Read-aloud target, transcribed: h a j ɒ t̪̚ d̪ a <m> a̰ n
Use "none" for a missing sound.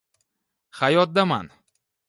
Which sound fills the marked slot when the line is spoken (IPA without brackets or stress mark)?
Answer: m